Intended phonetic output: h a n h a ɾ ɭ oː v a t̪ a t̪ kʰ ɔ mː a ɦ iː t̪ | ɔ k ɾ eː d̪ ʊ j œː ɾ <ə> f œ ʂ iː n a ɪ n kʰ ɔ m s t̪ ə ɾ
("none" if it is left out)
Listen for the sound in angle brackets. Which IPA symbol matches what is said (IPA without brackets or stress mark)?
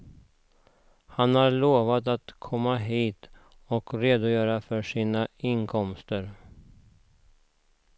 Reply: a